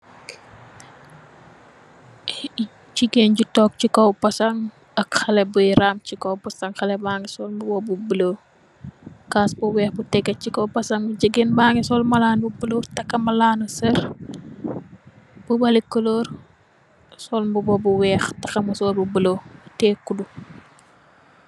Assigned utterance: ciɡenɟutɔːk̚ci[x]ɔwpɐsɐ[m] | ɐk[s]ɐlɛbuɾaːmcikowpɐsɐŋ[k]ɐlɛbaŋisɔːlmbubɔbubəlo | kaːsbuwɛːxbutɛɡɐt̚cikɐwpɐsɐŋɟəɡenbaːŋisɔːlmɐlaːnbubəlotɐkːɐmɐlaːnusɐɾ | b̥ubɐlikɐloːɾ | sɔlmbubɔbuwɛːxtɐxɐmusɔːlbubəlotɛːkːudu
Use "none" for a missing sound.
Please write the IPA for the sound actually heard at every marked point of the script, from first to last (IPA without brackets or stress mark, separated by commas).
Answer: k, ŋ, x, x